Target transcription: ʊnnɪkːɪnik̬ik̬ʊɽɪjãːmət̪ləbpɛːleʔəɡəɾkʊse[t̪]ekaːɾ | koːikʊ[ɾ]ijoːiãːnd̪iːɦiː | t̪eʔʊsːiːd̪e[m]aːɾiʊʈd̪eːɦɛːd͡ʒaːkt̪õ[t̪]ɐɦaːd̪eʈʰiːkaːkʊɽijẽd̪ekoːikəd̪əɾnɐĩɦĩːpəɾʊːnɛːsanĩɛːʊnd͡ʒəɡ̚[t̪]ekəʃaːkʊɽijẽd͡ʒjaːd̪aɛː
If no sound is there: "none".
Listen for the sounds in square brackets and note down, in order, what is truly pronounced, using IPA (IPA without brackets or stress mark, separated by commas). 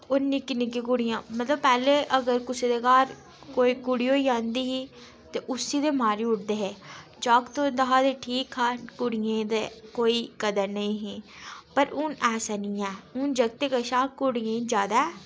d̪, ɽ, m, d̪, t̪